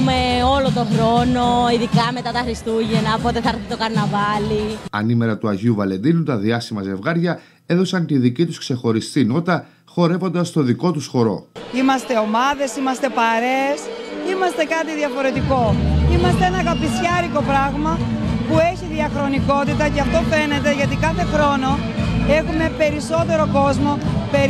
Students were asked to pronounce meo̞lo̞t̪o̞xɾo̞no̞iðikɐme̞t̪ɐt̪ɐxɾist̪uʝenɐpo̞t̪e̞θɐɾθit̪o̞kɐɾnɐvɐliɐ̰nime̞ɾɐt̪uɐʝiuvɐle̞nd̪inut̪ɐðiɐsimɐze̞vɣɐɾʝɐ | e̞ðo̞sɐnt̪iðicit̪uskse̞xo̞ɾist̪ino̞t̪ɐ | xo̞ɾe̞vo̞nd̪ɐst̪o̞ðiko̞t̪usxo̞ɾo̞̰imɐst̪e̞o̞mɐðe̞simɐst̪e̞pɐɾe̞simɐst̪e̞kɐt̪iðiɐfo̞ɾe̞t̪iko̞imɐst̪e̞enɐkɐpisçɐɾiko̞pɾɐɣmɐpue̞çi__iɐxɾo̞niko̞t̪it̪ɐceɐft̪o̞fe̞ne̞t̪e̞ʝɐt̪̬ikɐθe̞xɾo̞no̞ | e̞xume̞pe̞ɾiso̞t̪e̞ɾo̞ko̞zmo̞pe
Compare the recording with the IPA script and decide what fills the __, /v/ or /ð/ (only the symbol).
ð